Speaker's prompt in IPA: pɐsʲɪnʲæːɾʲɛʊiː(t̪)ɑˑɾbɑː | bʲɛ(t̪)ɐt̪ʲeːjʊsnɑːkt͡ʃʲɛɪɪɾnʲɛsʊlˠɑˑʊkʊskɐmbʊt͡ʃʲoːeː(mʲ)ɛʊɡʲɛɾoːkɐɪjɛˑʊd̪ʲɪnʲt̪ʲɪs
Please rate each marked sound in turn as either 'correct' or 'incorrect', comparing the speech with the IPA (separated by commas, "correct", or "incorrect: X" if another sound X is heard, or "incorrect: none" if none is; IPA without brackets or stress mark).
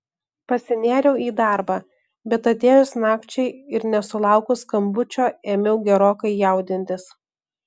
incorrect: d̪, correct, correct